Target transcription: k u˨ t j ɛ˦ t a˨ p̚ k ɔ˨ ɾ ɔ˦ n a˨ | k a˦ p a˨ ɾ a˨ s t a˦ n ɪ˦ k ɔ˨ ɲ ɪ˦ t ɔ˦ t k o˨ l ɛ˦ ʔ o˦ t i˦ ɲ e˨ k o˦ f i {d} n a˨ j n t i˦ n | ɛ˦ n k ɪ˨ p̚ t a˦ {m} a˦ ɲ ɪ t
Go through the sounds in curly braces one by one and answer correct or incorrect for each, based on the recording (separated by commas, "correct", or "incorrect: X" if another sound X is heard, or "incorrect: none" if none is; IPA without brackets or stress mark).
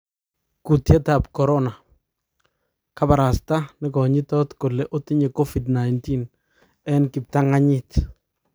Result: correct, incorrect: ŋ